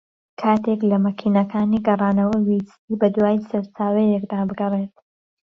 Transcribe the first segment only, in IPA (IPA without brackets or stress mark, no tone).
kʰ